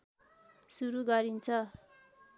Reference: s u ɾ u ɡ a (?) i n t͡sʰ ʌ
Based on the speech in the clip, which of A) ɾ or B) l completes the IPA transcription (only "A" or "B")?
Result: A